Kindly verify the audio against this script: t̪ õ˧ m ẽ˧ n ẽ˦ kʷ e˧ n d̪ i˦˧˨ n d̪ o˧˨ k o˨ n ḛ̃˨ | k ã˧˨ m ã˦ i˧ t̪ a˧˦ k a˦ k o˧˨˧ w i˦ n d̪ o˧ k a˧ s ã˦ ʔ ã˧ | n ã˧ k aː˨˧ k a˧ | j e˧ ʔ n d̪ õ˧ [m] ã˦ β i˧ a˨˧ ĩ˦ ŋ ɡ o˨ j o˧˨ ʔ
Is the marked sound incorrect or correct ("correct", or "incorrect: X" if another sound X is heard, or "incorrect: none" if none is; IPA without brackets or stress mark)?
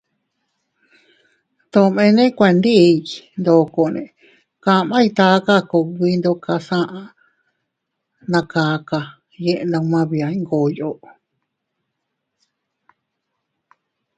correct